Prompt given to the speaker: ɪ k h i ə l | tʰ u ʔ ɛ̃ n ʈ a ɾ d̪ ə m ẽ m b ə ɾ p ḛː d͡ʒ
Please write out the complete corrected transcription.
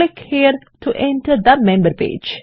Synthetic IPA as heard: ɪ k h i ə ɾ | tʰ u ʔ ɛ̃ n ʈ ə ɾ d̪ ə m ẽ m b ə ɾ p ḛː d͡ʒ